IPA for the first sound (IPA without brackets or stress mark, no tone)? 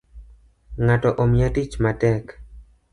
ŋ